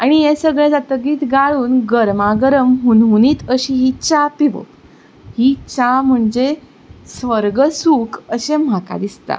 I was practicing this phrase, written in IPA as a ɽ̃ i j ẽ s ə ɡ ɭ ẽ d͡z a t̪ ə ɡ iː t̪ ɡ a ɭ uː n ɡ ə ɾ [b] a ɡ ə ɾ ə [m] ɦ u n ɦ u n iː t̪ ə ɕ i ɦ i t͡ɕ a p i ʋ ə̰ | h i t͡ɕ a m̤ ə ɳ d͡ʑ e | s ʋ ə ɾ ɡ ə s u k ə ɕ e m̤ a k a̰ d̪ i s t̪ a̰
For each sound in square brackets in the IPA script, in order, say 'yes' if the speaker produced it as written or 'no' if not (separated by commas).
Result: no, yes